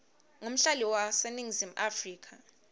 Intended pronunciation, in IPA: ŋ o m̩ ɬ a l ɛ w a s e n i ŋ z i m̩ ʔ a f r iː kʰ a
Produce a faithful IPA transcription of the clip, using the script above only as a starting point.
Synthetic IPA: ŋ o m̩ ɬ a l i w a s e n i ŋ z i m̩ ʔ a f r iː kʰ a

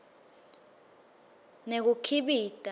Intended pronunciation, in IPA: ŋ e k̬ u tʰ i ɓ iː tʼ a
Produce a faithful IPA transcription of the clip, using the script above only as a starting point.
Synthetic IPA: n e k̬ u kʰ i ɓ iː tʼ a

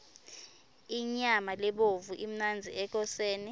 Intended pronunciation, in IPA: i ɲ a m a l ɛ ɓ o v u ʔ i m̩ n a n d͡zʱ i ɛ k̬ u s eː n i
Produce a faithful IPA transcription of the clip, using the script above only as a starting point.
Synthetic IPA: i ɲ a m a l ɛ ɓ o v u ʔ i m̩ n a n d͡zʱ i ɛ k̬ ɔ s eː n i

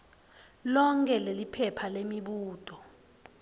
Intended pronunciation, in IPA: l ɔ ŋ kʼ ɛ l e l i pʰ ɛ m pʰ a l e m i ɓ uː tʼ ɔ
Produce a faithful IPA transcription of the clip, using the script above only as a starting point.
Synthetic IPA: l ɔ ŋ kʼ ɛ l e l i pʰ ɛ pʰ a l e m i ɓ uː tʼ ɔ

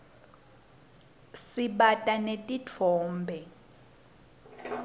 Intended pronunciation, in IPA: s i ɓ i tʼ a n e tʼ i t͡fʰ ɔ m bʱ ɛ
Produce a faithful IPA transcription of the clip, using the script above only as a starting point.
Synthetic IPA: s i ɓ a tʼ a n e tʼ i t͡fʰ ɔː m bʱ ɛ

